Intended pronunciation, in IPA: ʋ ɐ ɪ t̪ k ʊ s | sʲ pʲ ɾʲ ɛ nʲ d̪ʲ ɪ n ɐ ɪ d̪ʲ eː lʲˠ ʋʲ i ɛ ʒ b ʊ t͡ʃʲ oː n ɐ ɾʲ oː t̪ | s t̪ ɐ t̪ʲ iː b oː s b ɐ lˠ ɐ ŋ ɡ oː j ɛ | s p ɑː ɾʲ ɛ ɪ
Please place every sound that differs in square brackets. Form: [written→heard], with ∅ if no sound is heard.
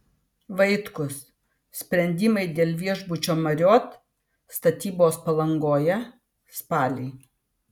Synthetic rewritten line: ʋ ɐ ɪ t̪ k ʊ s | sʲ pʲ ɾʲ ɛ nʲ d̪ʲ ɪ [n→m] ɐ ɪ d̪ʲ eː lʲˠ ʋʲ i ɛ ʒ b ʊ t͡ʃʲ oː [n→m] ɐ ɾʲ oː t̪ | s t̪ ɐ t̪ʲ iː b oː s [b→p] ɐ lˠ ɐ ŋ ɡ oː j ɛ | s p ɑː [ɾʲ→lʲ] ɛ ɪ